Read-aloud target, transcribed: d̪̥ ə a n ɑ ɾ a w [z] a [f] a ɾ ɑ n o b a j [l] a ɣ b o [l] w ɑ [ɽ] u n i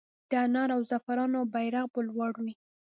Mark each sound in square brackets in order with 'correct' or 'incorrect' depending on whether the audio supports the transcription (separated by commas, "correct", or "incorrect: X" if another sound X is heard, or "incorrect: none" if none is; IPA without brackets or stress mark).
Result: correct, correct, incorrect: ɾ, correct, correct